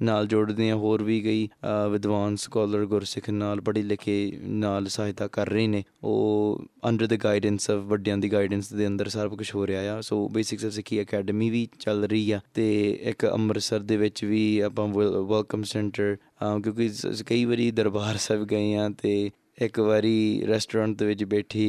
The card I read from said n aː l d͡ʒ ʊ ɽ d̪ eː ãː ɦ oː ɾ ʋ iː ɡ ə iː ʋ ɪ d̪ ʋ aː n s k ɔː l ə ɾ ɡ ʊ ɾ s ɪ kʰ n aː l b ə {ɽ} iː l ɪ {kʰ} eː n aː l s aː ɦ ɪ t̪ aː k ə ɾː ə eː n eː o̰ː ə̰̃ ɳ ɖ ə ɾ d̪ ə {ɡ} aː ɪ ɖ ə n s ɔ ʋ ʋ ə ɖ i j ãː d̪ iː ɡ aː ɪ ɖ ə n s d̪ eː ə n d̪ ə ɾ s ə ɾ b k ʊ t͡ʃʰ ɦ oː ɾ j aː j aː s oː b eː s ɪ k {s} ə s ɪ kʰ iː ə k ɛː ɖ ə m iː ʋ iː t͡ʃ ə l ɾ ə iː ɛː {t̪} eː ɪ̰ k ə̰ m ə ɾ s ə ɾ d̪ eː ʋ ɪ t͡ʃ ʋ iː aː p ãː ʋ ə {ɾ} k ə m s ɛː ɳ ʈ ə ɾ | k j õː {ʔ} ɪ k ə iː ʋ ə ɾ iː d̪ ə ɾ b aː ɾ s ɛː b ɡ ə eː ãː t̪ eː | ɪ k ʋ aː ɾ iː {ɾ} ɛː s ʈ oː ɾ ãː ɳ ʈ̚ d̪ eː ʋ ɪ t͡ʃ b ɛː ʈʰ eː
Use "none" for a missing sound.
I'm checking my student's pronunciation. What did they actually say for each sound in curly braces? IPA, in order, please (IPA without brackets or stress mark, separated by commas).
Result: ɽ, kʰ, ɡ, s, t̪, l, k, ɾ